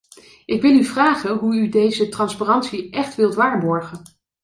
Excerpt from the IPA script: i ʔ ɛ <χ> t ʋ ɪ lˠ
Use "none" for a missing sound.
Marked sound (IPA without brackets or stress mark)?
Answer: χ